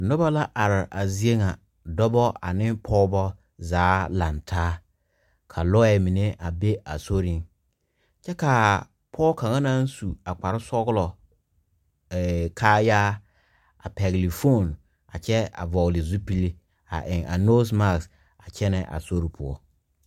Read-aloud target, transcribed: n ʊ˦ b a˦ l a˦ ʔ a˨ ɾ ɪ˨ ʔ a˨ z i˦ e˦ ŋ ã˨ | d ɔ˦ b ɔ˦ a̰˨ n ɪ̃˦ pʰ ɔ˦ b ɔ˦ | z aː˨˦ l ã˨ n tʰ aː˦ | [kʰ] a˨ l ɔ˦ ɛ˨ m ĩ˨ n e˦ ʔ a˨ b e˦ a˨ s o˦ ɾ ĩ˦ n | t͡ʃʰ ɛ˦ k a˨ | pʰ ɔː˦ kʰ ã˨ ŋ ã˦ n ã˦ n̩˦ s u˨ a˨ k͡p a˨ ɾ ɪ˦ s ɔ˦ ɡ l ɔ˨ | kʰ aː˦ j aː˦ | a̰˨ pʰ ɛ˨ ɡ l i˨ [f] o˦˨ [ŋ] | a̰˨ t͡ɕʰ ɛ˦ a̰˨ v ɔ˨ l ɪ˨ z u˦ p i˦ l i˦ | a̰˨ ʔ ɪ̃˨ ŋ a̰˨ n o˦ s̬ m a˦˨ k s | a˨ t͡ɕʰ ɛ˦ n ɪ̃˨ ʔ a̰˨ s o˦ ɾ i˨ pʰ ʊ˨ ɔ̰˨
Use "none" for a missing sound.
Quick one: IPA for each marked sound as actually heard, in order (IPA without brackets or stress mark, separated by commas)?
kʰ, f, n